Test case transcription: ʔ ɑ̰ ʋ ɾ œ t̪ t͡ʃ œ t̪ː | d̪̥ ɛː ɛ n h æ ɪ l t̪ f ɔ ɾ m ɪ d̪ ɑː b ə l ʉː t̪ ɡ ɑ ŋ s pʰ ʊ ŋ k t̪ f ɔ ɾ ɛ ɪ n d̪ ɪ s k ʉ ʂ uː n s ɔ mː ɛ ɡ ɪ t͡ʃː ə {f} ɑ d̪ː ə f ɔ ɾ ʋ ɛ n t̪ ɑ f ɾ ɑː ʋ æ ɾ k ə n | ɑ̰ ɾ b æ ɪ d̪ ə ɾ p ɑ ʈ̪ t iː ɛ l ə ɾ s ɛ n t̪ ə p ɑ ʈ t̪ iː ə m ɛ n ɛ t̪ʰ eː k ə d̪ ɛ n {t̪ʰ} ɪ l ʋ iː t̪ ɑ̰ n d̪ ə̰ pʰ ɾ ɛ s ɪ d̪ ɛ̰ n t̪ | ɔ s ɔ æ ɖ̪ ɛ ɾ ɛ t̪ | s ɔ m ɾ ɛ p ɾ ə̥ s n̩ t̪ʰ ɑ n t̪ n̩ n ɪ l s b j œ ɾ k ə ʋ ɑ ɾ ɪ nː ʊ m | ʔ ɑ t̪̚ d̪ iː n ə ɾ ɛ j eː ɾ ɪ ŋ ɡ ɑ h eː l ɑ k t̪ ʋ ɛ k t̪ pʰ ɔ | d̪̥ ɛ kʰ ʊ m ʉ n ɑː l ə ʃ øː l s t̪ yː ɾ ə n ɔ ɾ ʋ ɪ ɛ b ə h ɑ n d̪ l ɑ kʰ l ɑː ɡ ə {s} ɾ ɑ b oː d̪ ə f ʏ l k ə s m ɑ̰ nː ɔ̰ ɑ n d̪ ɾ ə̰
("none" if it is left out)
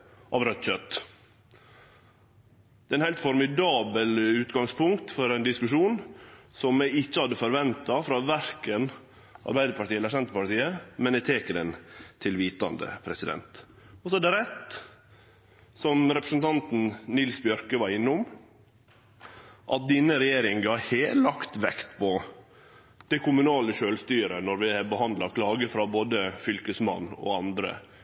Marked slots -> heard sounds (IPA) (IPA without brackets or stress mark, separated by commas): h, t̪ʰ, f